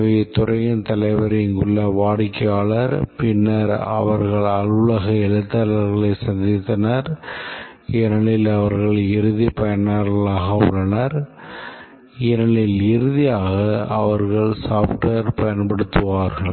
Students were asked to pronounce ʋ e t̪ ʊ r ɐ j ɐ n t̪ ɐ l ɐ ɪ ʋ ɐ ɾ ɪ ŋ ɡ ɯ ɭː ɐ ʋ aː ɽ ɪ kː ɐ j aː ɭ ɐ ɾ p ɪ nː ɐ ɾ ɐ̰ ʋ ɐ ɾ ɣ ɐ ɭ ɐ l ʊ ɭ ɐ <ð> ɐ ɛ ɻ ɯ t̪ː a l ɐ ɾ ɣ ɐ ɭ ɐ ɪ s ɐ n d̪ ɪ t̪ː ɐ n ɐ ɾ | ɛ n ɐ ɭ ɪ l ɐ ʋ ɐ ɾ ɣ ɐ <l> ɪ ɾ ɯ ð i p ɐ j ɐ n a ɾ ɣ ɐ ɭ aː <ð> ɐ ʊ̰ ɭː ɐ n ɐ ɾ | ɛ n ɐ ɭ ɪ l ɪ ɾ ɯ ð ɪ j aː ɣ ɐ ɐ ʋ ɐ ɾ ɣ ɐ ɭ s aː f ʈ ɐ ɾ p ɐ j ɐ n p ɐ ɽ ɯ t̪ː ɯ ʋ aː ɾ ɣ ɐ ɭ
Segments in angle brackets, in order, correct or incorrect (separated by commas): incorrect, incorrect, incorrect